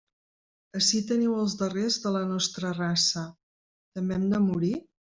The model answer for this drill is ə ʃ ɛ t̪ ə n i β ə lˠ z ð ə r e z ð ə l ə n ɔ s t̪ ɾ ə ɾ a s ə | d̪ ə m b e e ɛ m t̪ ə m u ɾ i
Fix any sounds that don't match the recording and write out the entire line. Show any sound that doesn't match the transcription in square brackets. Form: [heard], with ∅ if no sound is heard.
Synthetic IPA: ə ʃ [i] t̪ ə n i [w] ə lˠ z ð ə r e z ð ə l ə n ɔ s t̪ ɾ ə [r] a s ə | [t̪] ə m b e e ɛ m [d̪] ə m u ɾ i